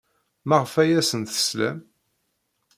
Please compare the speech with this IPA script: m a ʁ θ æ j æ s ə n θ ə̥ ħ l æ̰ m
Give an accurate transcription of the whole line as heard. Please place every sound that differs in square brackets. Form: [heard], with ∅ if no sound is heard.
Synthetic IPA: m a ʁ [f] æ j æ s ə n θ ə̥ [s] l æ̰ m